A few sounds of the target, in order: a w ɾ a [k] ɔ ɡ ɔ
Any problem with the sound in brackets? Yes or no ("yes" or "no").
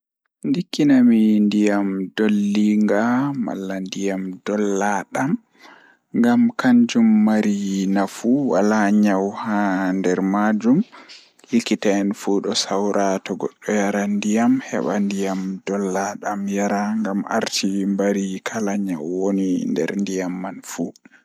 yes